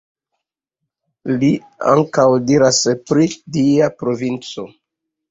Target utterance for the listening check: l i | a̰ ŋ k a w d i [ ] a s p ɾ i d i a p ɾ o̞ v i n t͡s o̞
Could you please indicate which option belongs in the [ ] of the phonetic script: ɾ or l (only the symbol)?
ɾ